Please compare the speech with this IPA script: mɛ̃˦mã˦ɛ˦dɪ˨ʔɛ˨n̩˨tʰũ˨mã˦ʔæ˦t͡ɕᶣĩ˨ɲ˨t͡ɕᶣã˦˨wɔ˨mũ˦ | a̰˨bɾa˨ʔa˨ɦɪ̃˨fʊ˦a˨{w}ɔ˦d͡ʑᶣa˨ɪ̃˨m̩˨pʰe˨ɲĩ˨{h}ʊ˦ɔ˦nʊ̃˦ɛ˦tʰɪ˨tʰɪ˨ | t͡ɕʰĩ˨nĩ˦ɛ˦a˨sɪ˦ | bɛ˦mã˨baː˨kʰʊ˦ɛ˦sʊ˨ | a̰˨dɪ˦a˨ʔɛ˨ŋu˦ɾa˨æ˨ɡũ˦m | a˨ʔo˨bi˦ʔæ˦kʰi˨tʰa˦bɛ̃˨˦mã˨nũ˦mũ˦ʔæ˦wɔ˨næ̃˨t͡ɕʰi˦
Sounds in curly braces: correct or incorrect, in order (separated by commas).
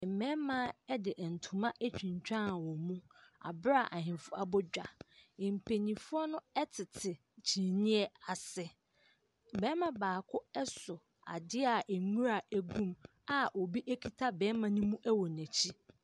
incorrect, incorrect